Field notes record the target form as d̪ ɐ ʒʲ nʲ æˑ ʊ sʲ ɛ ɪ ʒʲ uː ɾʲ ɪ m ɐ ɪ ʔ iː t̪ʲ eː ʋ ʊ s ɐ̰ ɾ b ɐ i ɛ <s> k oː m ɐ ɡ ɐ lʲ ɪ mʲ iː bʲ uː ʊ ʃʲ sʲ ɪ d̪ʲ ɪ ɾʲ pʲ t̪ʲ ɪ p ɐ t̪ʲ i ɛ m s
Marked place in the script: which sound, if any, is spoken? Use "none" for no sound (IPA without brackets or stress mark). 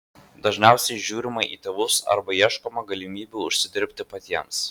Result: ʃ